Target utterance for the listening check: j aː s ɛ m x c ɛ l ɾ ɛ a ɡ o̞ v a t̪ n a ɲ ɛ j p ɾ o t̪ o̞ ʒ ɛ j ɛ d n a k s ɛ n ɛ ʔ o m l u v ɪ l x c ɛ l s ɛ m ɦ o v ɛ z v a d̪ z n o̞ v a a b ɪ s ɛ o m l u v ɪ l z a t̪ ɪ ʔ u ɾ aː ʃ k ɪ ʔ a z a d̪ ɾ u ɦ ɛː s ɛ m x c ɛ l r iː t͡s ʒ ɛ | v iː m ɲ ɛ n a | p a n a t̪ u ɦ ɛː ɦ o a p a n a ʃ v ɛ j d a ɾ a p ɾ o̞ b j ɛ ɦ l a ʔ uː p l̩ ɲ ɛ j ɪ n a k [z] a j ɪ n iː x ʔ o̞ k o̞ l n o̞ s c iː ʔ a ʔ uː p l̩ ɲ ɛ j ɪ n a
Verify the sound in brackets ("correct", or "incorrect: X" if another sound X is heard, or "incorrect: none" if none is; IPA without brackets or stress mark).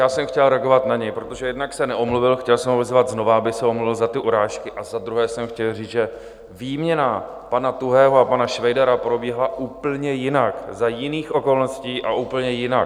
correct